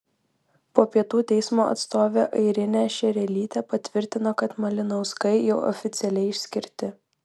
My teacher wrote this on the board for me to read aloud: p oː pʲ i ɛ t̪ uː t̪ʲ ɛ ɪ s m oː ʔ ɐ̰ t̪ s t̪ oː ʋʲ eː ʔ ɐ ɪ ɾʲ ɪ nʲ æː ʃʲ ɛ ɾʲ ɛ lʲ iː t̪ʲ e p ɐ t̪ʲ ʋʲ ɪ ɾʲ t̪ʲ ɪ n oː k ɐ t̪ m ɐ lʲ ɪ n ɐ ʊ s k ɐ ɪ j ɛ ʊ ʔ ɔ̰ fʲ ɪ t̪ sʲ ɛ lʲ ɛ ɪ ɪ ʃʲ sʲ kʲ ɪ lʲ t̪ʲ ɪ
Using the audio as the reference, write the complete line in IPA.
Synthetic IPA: p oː pʲ i ɛ t̪ uː t̪ʲ ɛ ɪ s m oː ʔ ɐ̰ t̪ s t̪ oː ʋʲ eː ʔ ɐ ɪ ɾʲ ɪ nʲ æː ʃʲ ɛ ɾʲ ɛ lʲ iː t̪ʲ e p ɐ t̪ʲ ʋʲ ɪ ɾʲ t̪ʲ ɪ n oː k ɐ t̪ m ɐ lʲ ɪ n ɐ ʊ s k ɐ ɪ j ɛ ʊ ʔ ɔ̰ fʲ ɪ t̪ sʲ ɛ lʲ ɛ ɪ ɪ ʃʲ sʲ kʲ ɪ ɾʲ t̪ʲ ɪ